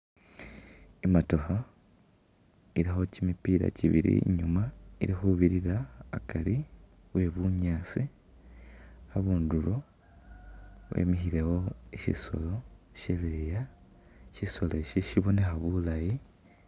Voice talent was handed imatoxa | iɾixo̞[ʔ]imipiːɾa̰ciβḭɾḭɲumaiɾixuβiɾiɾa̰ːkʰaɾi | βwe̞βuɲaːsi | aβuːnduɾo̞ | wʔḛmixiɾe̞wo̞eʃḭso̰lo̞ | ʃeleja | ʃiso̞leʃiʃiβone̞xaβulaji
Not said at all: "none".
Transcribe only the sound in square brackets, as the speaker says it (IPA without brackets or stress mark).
c